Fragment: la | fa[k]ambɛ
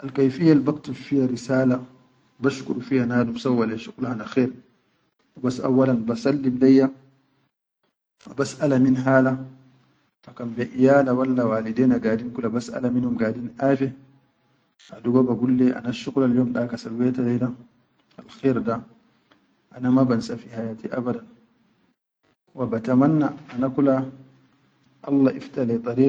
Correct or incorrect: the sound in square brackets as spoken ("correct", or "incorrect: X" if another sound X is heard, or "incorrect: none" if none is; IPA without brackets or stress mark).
correct